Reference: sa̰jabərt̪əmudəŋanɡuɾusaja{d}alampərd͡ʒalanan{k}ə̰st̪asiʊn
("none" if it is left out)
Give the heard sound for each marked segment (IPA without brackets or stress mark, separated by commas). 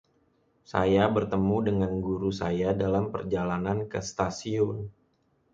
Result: d, k